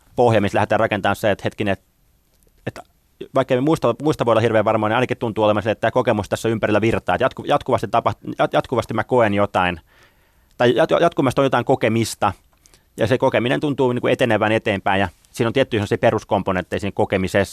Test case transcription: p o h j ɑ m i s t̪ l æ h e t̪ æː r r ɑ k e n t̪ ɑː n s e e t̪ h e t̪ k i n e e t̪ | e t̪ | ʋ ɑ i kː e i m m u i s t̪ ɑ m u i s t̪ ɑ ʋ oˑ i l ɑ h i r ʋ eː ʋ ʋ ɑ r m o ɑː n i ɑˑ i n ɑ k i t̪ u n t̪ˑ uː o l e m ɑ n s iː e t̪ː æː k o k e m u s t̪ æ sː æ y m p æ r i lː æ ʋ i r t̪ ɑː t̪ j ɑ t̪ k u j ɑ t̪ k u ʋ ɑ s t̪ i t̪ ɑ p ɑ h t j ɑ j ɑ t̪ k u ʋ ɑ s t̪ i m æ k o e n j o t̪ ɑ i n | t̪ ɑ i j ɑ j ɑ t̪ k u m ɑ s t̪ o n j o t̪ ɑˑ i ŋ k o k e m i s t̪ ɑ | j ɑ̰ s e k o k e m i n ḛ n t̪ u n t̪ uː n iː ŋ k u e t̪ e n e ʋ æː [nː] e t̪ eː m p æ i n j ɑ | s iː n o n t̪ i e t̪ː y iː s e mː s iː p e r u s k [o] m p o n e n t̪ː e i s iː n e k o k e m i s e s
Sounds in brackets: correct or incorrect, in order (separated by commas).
incorrect, correct